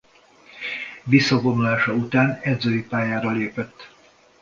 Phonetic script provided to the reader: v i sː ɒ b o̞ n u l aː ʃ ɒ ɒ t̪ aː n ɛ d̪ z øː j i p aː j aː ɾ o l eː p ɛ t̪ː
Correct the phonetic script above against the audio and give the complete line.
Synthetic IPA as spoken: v i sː ɒ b o̞ n u l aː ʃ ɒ u t̪ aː n ɛ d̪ z øː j i p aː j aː ɾ ɒ l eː p ɛ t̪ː